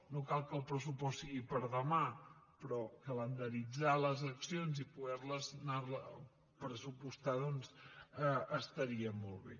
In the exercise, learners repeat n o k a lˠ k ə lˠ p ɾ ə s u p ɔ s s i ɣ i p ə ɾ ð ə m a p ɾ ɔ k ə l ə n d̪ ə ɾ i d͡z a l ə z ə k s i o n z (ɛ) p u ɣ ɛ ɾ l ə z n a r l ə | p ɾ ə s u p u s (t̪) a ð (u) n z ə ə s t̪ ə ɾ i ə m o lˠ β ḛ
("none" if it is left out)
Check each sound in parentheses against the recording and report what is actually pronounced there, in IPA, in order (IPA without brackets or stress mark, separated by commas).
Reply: i, t̪, ɔ